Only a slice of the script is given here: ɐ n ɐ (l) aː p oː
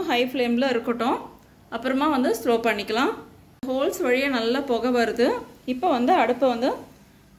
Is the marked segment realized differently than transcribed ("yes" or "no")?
yes